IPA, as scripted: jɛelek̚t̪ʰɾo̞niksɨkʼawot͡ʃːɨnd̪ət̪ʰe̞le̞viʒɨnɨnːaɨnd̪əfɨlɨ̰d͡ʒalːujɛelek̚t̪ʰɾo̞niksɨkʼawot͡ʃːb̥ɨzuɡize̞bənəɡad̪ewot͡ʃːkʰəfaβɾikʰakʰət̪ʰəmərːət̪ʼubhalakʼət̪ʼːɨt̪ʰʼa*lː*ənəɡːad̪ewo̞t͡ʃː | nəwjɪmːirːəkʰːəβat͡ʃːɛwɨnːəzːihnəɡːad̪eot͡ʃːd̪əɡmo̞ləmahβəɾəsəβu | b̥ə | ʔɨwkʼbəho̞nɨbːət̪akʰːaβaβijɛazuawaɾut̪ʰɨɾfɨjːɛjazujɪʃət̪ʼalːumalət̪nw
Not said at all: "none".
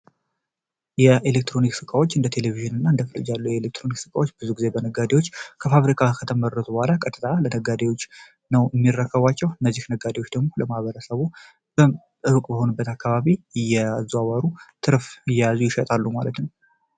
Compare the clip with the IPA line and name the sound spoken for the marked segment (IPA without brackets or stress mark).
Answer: l